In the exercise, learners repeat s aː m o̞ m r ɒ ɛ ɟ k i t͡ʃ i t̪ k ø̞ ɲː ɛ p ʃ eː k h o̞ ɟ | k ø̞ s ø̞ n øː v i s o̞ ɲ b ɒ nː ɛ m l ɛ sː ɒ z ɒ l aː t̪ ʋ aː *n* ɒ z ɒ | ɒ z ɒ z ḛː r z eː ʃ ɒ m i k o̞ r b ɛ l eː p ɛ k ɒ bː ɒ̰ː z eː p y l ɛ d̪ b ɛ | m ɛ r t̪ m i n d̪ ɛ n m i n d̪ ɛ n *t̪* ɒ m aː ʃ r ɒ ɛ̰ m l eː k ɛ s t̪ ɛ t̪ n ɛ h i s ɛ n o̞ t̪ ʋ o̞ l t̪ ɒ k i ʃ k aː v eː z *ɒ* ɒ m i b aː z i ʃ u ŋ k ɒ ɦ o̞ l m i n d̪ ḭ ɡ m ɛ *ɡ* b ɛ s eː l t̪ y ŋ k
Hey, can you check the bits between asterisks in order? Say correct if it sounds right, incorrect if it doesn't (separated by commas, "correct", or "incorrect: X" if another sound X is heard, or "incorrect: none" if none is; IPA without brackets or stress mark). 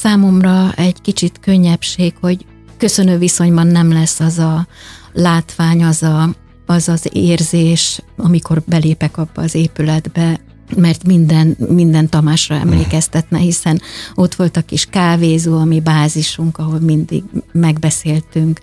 incorrect: ɲ, correct, incorrect: u, correct